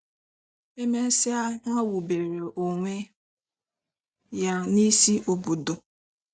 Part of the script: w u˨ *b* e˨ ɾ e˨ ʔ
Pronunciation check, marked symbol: correct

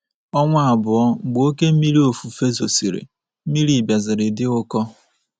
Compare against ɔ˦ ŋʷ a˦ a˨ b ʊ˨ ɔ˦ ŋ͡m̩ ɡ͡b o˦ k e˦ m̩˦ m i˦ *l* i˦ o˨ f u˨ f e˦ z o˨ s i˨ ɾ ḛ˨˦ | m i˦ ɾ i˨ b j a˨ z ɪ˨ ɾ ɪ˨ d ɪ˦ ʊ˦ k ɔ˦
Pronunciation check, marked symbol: incorrect: ɾ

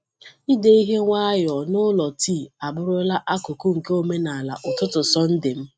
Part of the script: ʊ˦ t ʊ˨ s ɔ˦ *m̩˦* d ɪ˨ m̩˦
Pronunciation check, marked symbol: incorrect: n̩˦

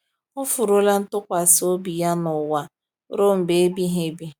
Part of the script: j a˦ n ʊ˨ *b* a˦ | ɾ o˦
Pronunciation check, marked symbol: incorrect: w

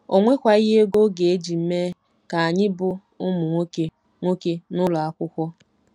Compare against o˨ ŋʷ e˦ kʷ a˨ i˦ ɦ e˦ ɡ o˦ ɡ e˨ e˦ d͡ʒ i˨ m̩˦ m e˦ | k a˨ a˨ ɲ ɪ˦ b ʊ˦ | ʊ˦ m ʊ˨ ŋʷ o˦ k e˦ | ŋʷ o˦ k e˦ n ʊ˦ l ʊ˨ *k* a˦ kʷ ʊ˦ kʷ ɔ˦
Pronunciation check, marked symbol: incorrect: none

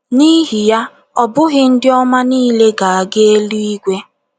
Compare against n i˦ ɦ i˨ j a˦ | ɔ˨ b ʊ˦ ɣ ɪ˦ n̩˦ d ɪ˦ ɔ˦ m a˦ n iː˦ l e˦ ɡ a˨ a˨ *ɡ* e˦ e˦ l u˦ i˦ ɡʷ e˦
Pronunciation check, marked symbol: correct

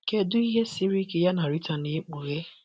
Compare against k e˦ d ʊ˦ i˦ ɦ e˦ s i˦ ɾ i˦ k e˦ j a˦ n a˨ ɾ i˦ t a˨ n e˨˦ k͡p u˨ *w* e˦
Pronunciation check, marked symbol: incorrect: ɣ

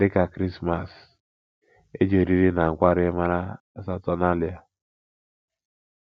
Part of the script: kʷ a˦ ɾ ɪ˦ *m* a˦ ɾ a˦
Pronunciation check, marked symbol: correct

